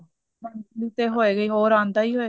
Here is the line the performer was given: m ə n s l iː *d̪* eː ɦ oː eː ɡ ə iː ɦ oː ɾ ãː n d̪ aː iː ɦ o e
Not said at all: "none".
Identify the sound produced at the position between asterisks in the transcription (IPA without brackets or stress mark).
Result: t̪